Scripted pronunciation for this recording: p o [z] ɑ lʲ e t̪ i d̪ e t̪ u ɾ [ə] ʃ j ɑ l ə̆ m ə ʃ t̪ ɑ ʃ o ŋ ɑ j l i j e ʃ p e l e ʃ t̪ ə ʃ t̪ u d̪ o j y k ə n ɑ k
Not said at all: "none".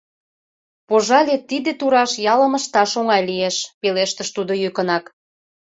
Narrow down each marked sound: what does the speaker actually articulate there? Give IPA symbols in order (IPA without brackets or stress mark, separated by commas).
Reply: ʒ, ɑ